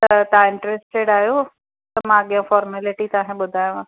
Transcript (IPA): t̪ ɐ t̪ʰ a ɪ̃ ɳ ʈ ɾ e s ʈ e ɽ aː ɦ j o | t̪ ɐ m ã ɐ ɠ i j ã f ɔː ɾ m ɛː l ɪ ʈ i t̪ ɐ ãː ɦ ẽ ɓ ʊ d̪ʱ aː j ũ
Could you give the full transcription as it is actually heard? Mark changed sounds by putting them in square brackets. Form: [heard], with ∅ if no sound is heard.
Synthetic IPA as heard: t̪ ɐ [t̪] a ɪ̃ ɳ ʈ ɾ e s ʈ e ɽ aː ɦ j o | t̪ ɐ m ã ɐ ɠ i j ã f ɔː ɾ m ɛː l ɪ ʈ i t̪ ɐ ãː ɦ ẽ ɓ ʊ d̪ʱ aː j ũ

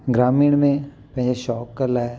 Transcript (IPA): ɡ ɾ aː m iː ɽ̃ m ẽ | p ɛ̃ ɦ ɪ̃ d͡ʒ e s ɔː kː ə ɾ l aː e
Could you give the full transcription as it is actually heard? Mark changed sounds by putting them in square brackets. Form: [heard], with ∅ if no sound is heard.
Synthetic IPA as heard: ɡ ɾ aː m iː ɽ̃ m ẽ | p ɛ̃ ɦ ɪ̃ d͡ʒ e [ʃ] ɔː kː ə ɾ l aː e

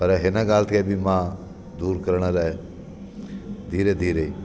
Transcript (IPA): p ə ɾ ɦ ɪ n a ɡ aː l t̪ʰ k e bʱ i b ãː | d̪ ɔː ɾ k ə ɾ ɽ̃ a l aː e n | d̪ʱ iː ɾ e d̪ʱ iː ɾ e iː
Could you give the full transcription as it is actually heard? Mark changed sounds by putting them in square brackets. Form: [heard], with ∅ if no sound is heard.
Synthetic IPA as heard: p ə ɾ ɦ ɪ n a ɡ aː l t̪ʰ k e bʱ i [m] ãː | d̪ [uː] ɾ k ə ɾ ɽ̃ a l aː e [∅] | d̪ʱ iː ɾ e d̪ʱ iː ɾ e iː

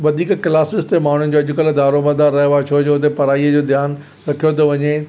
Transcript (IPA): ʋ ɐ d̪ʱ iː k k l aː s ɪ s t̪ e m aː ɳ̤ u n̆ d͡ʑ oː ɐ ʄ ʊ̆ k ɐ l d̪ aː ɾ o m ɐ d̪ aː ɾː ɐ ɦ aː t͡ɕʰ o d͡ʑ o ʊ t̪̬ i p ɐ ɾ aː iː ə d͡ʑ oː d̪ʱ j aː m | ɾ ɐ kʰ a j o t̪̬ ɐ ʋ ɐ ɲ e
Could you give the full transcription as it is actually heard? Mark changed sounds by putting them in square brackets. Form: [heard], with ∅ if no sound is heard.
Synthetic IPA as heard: ʋ ɐ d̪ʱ iː k k l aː s ɪ s t̪ e m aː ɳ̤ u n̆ d͡ʑ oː ɐ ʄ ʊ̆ k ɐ l d̪ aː ɾ o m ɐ d̪ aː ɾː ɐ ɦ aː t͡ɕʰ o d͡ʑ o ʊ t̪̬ [e] p ɐ ɾ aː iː ə d͡ʑ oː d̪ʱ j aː [n] | ɾ ɐ kʰ [i] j o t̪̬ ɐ ʋ ɐ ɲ e

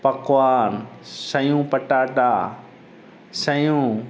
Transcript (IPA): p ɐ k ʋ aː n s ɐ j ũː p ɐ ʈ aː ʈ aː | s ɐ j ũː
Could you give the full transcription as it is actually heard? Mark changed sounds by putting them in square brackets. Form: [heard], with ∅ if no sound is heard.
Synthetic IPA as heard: p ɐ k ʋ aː n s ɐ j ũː p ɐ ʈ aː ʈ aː | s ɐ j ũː

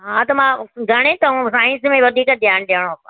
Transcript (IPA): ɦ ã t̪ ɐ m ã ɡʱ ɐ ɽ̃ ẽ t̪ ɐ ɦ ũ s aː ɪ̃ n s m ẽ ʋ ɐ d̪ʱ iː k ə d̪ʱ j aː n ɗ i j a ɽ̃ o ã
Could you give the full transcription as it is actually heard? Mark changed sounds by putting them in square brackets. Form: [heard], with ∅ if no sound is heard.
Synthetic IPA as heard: ɦ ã t̪ ɐ m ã ɡʱ ɐ ɽ̃ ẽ t̪ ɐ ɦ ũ s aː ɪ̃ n s m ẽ ʋ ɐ d̪ʱ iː k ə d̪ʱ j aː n ɗ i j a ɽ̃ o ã

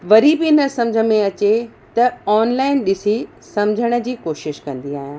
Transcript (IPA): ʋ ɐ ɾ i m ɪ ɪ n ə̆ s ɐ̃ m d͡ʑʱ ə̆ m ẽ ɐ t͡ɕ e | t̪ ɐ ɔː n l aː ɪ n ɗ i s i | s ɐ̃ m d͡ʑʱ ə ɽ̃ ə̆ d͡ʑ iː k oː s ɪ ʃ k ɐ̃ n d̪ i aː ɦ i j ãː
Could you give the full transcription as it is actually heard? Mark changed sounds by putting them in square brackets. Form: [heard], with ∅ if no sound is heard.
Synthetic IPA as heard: ʋ ɐ ɾ i [b] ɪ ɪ n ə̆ s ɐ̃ m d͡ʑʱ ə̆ m ẽ ɐ t͡ɕ e | t̪ ɐ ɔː n l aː ɪ n ɗ [ɪ] s i | s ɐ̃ m d͡ʑʱ ə ɽ̃ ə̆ d͡ʑ iː k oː [ʃ] ɪ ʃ k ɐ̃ n d̪ i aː ɦ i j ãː

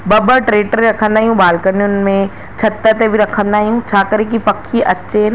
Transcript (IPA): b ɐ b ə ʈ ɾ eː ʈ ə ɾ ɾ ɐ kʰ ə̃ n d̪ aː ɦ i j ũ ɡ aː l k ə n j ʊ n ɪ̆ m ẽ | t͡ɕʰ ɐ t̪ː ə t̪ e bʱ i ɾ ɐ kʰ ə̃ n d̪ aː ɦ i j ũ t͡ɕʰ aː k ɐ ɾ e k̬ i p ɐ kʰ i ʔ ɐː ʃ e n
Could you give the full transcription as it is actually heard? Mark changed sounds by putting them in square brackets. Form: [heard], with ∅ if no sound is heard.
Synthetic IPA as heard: b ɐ b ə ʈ ɾ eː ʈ ə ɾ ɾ ɐ kʰ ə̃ n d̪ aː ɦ i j ũ [b] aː l k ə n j ʊ n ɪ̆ m ẽ | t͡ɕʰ ɐ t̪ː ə t̪ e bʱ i ɾ ɐ kʰ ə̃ n d̪ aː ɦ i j ũ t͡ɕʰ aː k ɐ ɾ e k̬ i p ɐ kʰ i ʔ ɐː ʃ e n

